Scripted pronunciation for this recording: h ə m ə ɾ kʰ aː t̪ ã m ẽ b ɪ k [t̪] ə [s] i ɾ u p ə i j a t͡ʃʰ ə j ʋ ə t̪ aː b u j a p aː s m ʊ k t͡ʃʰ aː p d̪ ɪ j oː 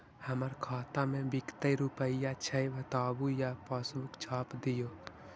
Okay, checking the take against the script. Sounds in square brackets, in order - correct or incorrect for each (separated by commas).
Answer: correct, incorrect